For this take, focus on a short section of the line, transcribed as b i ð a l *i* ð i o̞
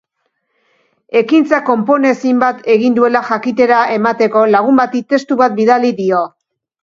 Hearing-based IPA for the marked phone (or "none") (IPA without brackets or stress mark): i